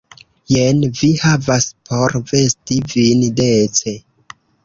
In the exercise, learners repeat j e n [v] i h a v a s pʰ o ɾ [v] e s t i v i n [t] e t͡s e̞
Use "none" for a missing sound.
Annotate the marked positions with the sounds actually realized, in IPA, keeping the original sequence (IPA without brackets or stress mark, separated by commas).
v, v, d